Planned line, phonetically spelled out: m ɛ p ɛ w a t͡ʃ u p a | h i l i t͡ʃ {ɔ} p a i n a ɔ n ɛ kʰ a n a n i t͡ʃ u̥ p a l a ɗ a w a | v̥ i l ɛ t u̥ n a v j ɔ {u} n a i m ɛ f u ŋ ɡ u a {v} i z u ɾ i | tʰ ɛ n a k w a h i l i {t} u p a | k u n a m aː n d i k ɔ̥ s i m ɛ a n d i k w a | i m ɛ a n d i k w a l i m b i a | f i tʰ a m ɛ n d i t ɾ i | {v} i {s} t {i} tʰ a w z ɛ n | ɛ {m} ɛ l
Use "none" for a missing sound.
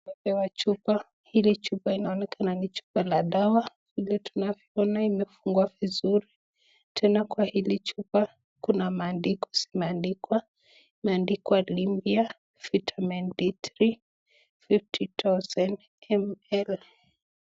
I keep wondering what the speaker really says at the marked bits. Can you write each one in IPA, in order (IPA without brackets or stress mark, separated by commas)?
u, ɔ, v, t͡ʃ, f, f, i, m